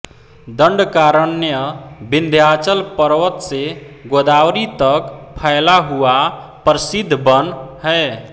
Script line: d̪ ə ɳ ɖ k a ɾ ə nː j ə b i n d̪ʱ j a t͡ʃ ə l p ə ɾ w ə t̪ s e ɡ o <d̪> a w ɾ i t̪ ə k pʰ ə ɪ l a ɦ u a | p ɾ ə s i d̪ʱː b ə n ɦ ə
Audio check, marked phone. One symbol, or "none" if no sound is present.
d̪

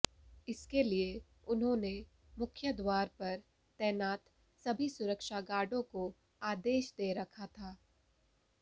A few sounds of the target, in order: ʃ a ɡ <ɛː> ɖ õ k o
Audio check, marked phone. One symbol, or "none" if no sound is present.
aː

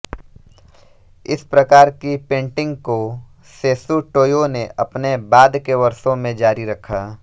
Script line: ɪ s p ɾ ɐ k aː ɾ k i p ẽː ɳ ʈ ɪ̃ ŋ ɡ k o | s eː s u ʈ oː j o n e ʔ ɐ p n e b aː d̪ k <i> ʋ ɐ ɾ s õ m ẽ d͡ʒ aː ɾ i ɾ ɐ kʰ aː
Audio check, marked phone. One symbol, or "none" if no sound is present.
e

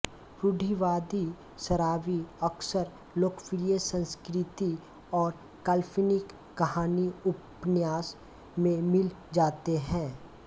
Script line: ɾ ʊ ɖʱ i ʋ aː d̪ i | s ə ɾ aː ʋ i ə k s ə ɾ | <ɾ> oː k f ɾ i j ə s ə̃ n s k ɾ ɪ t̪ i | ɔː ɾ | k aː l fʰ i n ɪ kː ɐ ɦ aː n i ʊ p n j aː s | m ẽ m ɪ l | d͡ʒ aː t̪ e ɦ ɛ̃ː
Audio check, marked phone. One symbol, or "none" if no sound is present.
l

